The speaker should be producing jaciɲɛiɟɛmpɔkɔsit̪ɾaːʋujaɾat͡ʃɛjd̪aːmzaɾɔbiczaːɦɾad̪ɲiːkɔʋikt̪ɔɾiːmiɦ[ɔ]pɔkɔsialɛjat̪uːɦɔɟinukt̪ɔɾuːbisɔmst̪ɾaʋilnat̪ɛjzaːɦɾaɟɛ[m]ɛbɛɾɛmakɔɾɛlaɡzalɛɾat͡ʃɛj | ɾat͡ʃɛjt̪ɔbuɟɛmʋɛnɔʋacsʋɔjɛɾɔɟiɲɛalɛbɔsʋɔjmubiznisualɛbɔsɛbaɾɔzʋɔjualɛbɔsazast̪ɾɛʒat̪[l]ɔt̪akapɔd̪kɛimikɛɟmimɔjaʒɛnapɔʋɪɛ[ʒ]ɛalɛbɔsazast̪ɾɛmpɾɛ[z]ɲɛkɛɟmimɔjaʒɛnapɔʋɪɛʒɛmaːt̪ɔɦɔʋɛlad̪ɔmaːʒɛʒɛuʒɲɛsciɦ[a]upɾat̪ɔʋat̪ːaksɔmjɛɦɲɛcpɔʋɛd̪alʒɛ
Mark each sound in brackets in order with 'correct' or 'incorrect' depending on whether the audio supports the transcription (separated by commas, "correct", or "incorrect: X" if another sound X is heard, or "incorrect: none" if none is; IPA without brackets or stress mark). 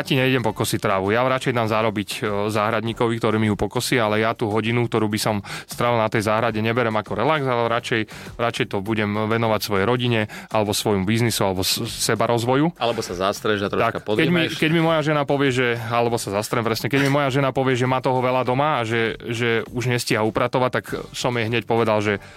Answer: incorrect: u, incorrect: ɲ, incorrect: ɾ, correct, incorrect: s, correct